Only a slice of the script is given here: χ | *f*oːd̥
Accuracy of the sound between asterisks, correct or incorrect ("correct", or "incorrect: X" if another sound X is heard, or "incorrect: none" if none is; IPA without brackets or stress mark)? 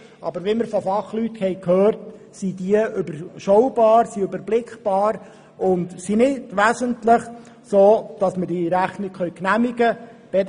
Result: incorrect: s